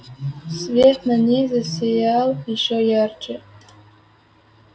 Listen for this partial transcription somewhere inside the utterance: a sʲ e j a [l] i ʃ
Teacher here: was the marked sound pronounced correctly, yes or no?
yes